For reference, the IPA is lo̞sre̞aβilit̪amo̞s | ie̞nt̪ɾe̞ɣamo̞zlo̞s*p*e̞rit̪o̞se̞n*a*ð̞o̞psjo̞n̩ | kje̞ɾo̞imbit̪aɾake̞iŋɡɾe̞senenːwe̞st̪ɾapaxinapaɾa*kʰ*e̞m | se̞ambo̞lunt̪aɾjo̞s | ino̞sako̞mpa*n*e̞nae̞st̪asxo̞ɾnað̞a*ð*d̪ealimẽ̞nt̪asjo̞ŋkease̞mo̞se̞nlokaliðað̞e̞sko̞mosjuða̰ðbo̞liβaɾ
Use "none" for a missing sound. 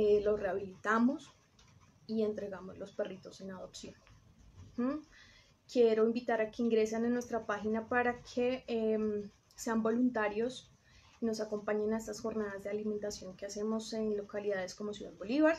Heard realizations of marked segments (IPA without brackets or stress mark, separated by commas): p, a, kʰ, ɲ, z